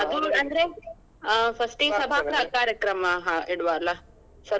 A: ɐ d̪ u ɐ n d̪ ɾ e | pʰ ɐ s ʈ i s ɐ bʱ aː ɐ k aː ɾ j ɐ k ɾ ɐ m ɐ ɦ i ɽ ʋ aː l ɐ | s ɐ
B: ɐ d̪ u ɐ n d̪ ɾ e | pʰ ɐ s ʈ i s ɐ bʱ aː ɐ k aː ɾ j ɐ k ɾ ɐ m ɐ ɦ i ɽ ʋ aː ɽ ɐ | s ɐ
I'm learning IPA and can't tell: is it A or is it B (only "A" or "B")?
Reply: A